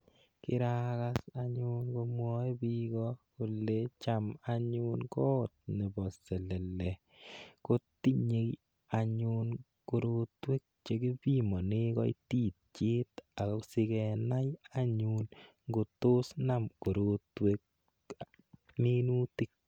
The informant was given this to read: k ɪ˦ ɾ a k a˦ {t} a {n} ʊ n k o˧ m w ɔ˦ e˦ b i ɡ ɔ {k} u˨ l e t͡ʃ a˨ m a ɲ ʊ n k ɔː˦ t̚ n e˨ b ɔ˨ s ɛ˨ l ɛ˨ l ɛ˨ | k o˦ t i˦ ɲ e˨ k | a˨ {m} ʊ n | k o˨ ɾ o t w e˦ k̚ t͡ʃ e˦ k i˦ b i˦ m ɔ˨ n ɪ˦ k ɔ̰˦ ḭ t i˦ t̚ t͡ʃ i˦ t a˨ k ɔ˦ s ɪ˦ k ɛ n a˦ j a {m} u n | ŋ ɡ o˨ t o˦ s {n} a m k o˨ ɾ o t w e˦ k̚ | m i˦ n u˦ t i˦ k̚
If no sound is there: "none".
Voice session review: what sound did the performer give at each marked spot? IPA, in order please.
s, ɲ, k, ɲ, ɲ, n

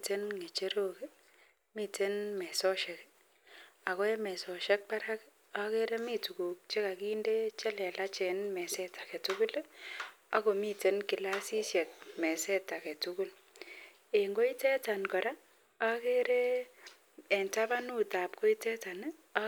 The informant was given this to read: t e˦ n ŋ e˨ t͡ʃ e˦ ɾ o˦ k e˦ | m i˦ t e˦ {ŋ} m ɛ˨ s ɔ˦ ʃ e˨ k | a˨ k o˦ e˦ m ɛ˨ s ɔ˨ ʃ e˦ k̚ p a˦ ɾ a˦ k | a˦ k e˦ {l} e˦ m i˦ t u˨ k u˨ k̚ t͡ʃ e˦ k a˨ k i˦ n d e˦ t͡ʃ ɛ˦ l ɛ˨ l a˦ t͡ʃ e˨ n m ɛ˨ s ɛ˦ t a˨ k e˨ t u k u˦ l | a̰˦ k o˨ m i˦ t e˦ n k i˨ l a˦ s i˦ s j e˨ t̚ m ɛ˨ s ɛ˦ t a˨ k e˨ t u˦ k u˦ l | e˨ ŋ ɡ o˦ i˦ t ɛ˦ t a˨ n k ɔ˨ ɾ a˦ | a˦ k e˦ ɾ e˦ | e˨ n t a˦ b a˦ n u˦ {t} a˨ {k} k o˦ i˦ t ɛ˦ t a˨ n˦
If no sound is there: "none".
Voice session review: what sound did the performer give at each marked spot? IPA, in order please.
n, ɾ, t, p

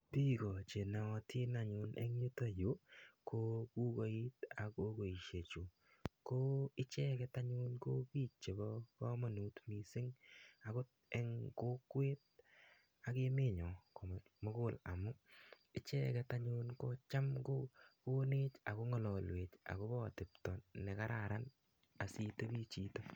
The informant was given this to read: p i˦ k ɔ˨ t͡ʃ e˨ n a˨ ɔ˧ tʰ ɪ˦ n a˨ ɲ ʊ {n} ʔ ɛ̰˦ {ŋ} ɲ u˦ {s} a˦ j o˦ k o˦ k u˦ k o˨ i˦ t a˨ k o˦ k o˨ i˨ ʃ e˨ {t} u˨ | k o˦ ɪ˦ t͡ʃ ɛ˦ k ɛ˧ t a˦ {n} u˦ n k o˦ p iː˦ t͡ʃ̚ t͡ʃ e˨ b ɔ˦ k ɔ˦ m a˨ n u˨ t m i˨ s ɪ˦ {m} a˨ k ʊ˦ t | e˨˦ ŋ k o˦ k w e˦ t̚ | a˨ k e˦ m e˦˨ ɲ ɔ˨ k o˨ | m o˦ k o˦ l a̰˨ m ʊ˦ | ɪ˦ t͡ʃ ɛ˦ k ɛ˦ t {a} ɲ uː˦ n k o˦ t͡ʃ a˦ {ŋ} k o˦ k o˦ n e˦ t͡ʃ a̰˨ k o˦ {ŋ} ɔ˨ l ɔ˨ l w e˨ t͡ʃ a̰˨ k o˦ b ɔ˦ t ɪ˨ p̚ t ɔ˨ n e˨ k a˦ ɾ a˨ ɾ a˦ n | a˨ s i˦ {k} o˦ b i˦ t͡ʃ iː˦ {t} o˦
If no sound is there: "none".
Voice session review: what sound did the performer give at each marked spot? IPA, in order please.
n, ŋ, t, t͡ʃ, ɲ, ŋ, a, m, ŋ, t, t

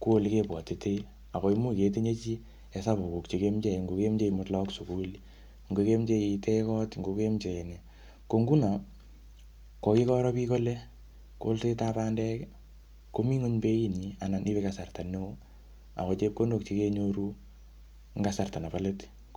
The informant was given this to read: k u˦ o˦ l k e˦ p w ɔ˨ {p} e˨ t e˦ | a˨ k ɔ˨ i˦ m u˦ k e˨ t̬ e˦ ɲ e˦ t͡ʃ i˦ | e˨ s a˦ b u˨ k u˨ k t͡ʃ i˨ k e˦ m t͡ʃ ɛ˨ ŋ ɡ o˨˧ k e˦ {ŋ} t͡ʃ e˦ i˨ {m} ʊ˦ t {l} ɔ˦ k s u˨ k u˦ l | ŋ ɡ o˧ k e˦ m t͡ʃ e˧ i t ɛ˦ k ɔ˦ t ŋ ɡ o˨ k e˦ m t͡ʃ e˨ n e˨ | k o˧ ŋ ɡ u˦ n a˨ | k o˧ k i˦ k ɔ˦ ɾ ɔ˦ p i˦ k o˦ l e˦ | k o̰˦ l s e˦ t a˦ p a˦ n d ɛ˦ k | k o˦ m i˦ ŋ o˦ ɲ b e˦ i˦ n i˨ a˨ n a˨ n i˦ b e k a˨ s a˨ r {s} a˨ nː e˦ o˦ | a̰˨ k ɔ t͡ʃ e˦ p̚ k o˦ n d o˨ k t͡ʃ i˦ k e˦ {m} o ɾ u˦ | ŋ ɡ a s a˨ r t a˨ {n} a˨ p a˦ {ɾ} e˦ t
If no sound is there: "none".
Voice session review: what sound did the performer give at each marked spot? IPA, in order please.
t, m, m, l, t, ɲ, n, l

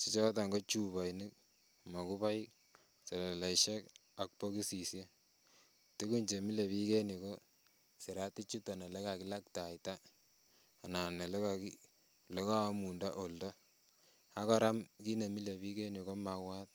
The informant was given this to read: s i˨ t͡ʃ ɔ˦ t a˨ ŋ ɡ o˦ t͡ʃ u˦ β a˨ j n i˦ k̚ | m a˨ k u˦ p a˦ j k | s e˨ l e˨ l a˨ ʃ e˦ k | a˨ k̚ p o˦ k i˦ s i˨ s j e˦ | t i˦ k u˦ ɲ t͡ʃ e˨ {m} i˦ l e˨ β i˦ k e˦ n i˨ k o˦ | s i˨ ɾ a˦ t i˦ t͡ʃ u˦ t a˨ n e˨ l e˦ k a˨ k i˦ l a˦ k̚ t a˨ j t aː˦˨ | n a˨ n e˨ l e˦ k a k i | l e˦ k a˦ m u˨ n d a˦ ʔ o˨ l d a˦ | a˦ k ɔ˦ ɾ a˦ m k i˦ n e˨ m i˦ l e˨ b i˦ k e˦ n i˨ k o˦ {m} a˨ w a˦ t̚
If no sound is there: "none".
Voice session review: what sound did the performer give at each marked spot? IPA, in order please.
m, m

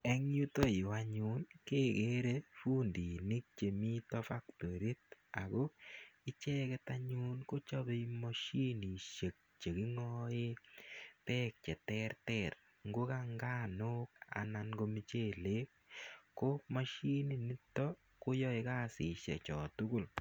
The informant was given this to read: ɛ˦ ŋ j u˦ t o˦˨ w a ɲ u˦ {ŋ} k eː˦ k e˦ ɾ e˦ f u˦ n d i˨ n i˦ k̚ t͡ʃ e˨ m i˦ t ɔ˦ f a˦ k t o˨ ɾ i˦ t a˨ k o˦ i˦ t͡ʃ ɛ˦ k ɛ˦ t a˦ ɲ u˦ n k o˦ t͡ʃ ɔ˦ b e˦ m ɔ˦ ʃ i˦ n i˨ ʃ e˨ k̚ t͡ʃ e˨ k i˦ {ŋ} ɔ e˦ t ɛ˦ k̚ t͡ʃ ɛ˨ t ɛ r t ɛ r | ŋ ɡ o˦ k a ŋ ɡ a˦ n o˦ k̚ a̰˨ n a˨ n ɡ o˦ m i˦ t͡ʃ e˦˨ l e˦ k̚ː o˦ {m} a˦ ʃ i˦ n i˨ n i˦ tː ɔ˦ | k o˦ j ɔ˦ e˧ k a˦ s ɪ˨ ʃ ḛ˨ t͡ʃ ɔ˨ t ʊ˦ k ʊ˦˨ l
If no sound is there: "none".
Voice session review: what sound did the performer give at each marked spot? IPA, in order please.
n, ŋ, m

